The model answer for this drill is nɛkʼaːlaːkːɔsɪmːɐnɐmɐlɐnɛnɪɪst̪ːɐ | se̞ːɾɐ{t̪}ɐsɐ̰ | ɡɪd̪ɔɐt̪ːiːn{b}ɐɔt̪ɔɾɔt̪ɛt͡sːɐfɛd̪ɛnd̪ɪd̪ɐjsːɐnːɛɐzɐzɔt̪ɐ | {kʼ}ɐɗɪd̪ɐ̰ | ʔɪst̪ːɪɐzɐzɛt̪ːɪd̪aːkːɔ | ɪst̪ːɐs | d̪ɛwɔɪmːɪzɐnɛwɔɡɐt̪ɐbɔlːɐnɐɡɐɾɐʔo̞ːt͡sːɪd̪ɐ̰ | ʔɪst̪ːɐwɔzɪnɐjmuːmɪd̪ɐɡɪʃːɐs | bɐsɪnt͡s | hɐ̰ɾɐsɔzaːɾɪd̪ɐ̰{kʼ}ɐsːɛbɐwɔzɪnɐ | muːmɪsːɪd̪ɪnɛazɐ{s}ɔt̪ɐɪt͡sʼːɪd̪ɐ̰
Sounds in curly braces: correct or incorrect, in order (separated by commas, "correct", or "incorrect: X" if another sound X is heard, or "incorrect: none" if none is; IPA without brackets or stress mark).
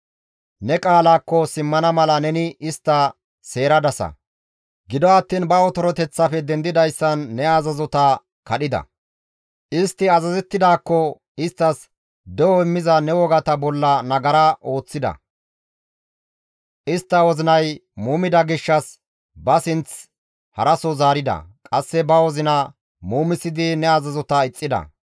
incorrect: d̪, correct, incorrect: k, correct, incorrect: z